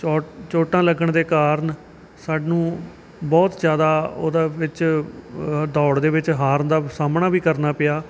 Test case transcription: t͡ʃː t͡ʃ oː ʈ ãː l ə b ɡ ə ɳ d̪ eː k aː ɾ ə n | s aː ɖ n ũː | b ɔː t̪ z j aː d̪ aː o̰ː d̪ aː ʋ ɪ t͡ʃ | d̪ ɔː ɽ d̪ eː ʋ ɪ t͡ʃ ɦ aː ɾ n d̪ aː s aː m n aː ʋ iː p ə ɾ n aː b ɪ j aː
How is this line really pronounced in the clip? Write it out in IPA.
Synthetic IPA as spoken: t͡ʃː t͡ʃ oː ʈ ãː l ə ɡ ə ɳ d̪ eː k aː ɾ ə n | s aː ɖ n ũː | b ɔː t̪ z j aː d̪ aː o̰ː d̪ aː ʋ ɪ t͡ʃ | d̪ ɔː ɽ d̪ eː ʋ ɪ t͡ʃ ɦ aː ɾ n d̪ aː s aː m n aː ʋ iː k ə ɾ n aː p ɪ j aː